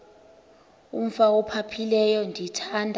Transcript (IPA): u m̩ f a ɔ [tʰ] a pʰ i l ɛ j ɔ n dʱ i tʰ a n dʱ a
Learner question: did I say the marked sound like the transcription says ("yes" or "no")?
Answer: no